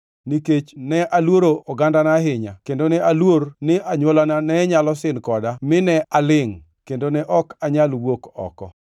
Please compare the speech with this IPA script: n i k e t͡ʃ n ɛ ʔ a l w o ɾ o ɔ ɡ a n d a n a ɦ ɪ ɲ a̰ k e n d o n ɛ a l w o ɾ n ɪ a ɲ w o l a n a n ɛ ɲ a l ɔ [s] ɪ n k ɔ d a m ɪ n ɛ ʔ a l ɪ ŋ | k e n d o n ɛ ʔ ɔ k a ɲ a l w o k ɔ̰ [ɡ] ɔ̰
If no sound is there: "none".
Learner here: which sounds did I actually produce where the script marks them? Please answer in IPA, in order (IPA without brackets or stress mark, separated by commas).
s, k